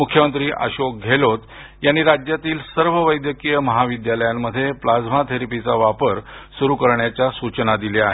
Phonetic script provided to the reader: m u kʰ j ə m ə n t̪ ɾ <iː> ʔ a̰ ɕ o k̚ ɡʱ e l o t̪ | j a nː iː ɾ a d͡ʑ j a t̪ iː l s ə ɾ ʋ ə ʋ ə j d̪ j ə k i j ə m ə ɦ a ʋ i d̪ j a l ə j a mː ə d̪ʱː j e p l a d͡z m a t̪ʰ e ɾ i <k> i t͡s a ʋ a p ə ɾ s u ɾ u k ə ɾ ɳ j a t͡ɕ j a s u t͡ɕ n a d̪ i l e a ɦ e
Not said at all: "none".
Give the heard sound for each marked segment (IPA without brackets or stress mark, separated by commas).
iː, p